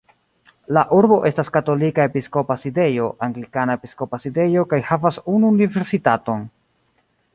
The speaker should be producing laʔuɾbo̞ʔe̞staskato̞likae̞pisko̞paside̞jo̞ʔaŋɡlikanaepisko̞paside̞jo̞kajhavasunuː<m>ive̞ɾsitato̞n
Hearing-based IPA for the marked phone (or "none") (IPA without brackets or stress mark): n